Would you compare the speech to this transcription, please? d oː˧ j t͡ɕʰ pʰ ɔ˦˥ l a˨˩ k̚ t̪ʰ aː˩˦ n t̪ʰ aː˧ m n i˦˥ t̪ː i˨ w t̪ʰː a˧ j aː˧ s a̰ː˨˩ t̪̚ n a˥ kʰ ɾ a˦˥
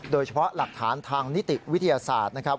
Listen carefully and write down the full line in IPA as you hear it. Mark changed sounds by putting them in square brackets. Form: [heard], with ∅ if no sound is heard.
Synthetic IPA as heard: d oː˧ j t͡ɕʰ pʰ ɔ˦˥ l a˨˩ k̚ t̪ʰ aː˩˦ n t̪ʰ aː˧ [ŋ] n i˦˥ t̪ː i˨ w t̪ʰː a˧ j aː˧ s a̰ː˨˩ t̪̚ n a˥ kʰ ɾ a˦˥